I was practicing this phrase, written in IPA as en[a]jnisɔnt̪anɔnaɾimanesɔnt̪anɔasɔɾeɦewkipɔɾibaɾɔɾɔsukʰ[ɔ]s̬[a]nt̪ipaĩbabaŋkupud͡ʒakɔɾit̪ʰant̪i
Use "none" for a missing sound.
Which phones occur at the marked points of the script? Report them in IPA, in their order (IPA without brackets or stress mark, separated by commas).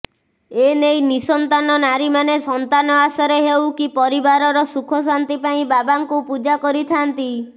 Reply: e, ɔ, a